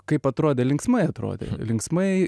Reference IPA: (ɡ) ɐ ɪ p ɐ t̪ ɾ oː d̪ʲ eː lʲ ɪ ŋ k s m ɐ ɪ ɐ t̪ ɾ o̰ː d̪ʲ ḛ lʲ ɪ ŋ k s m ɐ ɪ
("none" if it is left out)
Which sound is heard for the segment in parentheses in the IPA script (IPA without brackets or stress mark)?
k